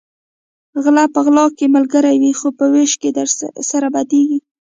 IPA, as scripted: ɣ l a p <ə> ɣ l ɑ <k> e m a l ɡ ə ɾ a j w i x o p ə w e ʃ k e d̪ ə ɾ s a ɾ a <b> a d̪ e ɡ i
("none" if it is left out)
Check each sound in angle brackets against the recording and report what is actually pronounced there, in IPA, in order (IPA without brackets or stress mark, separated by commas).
ə, k, b